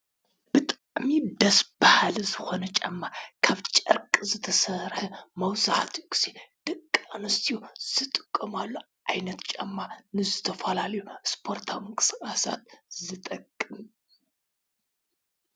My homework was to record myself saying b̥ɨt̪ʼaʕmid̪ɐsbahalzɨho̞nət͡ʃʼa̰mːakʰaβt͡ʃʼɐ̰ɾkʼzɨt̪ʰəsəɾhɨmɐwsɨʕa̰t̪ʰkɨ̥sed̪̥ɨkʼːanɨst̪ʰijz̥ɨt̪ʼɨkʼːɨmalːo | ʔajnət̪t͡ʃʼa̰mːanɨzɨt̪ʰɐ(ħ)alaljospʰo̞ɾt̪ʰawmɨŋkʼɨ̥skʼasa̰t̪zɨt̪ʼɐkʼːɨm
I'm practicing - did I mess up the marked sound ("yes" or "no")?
yes